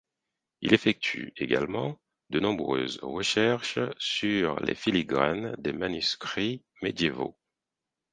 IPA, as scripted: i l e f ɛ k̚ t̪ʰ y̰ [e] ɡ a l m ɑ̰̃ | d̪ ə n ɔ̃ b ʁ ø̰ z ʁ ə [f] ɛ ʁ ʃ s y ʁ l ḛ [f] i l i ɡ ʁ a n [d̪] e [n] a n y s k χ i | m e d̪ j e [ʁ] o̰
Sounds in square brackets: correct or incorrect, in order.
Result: correct, incorrect, correct, correct, incorrect, incorrect

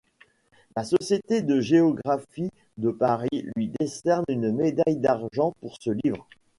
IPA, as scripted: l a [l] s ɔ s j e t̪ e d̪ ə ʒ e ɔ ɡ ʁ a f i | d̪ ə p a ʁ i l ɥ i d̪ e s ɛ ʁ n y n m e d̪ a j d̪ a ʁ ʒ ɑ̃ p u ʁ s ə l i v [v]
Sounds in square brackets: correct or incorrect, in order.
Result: incorrect, incorrect

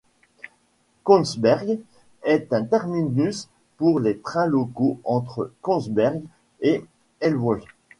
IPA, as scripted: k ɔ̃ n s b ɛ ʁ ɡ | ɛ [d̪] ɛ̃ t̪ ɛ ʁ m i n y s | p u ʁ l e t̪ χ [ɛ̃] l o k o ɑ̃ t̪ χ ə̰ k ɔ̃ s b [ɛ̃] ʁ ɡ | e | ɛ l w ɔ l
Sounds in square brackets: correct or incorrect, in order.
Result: incorrect, correct, incorrect

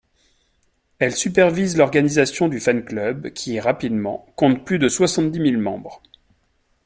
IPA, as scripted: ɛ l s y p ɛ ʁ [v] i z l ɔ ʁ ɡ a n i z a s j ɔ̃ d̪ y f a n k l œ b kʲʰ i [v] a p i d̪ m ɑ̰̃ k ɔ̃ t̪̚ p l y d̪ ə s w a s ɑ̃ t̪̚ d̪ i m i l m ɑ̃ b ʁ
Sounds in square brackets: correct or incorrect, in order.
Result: correct, incorrect

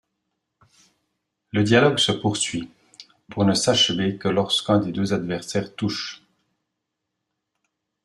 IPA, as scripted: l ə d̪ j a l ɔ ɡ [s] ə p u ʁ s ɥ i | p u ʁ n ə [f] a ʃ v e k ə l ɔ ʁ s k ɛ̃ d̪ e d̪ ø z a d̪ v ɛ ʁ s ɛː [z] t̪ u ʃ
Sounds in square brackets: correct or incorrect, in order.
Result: correct, incorrect, incorrect

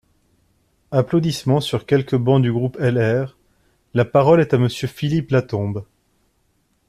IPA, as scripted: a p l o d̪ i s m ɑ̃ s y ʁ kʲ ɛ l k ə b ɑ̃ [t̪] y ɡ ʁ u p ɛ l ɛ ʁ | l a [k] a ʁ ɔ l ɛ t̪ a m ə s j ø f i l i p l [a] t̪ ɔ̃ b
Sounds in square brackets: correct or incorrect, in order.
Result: incorrect, incorrect, correct

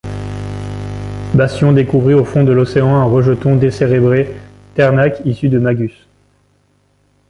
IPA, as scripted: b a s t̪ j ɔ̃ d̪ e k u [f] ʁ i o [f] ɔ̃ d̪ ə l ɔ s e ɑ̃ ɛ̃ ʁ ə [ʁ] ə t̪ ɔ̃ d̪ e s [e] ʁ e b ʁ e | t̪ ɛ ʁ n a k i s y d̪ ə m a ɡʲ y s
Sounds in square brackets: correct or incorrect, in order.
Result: incorrect, correct, incorrect, correct

